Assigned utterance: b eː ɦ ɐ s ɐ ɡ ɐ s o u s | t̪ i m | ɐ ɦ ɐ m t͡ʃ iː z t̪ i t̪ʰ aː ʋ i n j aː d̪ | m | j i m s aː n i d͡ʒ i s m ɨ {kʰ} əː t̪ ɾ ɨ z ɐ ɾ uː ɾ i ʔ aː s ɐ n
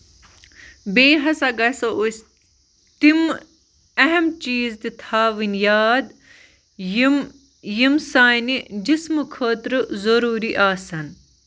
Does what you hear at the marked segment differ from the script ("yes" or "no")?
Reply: no